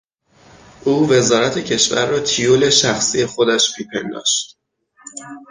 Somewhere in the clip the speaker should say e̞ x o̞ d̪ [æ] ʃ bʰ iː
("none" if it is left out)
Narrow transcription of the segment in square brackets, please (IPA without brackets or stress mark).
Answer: æ